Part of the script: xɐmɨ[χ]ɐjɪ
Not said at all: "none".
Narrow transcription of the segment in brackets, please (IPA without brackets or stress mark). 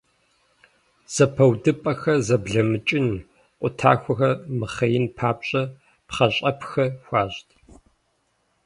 χ